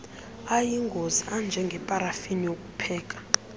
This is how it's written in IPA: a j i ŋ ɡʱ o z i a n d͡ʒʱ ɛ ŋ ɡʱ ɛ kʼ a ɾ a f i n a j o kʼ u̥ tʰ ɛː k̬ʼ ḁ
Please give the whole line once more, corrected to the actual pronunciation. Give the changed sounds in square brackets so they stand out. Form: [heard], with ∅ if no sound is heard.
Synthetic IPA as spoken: a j i ŋ ɡʱ o z i a n d͡ʒʱ ɛ ŋ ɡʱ ɛ [pʼ] a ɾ a f i n [i] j o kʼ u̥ [pʰ] ɛː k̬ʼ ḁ